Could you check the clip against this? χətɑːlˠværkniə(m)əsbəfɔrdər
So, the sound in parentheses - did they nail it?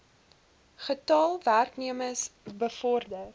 yes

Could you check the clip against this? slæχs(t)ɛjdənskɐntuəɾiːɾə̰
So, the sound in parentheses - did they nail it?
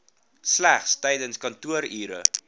yes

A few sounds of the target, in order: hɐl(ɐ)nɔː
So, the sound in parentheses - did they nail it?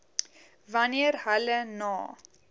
no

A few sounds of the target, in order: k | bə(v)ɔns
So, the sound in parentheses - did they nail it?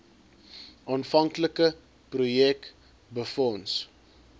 no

